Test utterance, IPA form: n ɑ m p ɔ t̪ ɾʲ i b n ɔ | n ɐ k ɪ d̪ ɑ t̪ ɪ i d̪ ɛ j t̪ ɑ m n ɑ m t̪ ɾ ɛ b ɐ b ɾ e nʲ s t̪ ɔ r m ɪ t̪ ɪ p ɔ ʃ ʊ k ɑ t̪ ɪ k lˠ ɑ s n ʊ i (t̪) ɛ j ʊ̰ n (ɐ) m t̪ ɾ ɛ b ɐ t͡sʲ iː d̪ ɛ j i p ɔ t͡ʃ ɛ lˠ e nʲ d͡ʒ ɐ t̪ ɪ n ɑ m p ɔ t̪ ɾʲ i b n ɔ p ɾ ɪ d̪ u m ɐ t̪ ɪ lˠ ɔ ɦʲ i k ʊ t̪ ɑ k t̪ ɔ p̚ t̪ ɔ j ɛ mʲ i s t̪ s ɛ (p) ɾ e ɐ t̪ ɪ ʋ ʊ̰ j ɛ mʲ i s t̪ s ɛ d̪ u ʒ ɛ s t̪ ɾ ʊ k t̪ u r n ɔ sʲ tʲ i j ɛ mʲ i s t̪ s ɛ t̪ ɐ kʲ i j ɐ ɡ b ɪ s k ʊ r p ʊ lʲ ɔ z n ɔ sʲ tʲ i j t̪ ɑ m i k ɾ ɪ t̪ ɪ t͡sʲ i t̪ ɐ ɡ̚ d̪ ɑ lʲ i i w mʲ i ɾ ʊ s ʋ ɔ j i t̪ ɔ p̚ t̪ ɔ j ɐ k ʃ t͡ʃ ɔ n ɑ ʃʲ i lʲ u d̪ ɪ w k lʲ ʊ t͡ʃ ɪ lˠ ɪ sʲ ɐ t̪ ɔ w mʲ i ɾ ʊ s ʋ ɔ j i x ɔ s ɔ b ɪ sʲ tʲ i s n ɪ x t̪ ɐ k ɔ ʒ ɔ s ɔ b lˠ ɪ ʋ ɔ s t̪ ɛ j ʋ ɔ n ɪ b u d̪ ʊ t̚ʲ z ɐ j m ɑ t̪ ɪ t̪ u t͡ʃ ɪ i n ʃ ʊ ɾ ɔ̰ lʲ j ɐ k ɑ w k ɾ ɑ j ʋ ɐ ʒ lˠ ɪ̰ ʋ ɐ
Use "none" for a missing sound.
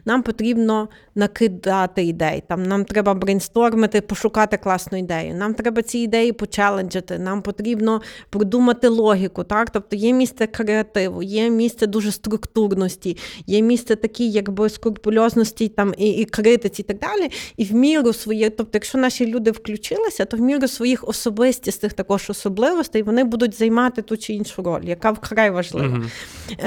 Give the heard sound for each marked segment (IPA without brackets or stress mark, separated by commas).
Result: d̪, ɑ, k